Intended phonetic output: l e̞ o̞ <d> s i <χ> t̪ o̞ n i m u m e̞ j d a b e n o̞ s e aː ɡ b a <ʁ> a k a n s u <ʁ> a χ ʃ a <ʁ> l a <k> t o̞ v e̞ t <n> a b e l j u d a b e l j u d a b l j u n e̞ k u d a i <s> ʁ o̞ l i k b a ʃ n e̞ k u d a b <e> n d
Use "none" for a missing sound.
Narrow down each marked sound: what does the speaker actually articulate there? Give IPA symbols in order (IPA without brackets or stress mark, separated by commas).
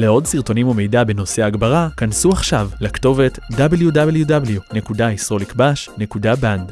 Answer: d, ʁ, ʁ, none, v, k, d, s, a